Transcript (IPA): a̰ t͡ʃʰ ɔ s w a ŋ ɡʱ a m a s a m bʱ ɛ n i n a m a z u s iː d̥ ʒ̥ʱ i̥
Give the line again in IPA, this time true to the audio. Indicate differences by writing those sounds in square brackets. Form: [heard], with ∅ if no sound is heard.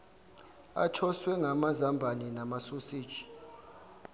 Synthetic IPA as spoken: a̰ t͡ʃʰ ɔ s w [ɛ] ŋ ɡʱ a m a [z] a m bʱ [a] n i n a m a [s] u s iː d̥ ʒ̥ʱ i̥